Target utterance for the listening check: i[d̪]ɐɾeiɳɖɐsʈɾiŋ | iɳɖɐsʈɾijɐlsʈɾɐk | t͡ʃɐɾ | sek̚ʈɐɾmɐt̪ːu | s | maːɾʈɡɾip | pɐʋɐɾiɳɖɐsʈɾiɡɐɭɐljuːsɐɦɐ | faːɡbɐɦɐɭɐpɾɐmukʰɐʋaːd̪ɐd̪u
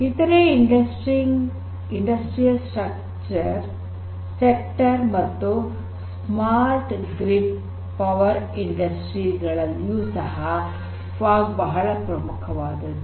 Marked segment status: incorrect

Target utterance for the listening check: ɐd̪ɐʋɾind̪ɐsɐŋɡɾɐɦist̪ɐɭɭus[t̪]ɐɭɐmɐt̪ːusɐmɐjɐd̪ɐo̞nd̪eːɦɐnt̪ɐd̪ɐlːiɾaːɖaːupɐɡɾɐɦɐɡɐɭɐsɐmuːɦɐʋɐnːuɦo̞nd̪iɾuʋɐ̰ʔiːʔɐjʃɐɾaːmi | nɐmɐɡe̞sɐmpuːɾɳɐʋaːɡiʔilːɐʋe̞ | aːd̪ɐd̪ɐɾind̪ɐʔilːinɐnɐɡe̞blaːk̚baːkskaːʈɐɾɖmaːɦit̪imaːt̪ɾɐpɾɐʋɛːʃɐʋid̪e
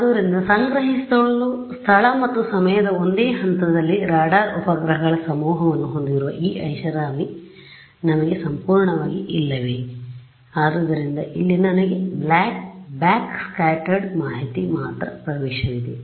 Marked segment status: incorrect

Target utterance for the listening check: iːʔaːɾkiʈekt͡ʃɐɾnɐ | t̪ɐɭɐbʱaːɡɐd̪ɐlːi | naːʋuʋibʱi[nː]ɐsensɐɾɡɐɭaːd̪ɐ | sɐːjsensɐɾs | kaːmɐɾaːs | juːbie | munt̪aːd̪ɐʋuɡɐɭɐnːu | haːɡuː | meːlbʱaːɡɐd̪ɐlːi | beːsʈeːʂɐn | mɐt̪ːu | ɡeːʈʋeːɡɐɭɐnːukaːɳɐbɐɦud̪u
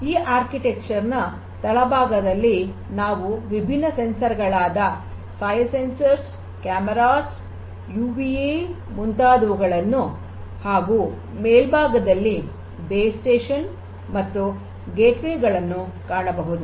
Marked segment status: correct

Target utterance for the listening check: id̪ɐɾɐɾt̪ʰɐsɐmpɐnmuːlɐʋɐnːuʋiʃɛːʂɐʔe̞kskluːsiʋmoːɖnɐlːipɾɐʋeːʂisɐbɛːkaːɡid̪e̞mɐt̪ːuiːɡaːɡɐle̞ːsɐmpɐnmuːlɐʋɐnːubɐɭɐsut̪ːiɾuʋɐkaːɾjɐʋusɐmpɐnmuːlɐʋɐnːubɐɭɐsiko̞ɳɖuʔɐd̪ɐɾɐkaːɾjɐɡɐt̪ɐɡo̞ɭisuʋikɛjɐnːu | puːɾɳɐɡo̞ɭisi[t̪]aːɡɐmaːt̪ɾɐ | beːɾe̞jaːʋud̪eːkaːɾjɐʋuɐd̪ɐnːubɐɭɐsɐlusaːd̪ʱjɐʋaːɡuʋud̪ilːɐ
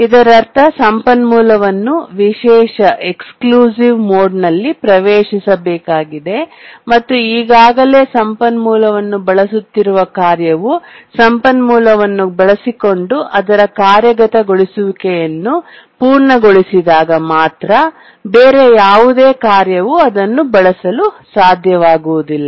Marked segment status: incorrect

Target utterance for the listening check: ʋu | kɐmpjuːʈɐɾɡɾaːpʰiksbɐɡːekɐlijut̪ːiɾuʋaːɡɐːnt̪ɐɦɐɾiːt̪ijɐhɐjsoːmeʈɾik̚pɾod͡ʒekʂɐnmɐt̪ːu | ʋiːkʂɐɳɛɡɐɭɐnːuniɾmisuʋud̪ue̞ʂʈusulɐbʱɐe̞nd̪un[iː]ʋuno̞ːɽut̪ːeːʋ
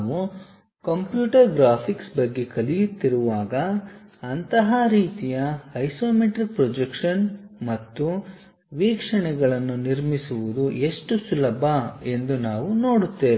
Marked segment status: incorrect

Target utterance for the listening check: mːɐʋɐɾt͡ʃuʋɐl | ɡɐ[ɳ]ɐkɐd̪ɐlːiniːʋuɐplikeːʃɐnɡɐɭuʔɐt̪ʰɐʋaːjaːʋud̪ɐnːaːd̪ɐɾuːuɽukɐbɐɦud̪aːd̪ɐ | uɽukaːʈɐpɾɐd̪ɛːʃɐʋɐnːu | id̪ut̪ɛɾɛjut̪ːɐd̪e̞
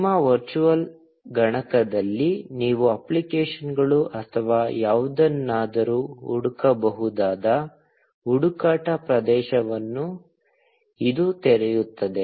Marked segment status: correct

